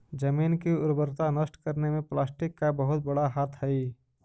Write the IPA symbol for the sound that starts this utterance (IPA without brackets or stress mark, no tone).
d͡ʒ